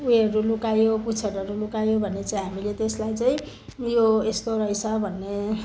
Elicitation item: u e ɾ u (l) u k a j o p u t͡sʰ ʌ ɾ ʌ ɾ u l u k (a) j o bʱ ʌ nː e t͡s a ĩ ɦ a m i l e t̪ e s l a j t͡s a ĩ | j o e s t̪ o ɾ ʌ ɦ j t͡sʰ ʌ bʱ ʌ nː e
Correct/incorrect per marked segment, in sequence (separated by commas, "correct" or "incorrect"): correct, correct